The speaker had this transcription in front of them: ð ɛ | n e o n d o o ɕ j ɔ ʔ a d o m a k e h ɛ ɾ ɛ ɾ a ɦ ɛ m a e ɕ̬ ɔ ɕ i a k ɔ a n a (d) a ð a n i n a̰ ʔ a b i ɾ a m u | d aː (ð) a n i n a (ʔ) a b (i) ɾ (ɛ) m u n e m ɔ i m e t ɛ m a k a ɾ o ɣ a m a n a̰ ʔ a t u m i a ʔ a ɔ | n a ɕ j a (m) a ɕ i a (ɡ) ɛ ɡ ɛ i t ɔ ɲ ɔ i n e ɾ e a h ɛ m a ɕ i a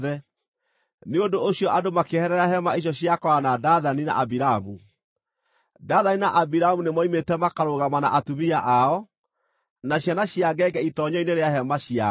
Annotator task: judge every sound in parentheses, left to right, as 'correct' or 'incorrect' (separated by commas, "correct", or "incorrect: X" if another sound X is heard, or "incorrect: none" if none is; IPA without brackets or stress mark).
correct, correct, correct, correct, incorrect: a, incorrect: n, correct